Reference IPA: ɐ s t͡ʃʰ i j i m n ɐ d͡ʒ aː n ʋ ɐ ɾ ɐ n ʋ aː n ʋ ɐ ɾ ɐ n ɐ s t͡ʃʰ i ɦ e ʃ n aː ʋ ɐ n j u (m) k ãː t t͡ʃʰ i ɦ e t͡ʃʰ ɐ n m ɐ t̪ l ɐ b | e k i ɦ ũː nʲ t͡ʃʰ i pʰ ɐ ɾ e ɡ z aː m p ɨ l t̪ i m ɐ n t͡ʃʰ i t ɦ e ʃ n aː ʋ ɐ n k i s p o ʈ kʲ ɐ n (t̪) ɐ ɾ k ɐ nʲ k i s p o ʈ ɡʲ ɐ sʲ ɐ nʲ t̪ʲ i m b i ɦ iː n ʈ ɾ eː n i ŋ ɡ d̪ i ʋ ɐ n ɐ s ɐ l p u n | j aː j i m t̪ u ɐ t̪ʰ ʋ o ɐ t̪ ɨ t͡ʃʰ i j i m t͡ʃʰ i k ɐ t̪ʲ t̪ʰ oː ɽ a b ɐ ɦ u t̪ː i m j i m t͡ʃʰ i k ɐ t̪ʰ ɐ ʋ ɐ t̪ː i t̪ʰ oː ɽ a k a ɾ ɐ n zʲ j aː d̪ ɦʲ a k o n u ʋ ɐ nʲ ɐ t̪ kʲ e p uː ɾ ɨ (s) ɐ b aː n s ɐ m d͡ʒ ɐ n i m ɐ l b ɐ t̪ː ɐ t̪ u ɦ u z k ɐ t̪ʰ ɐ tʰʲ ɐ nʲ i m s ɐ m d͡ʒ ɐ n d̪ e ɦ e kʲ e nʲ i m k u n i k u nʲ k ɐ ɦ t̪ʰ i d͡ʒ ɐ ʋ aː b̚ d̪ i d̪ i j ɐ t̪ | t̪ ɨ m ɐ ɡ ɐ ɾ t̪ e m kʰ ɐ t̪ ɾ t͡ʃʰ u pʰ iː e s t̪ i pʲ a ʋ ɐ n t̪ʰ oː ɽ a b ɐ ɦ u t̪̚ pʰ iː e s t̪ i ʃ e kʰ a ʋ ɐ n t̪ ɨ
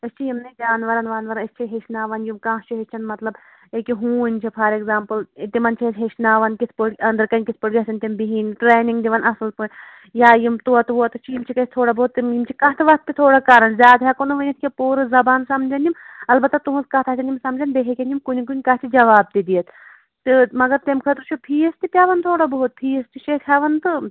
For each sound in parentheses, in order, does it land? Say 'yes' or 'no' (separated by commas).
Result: yes, no, no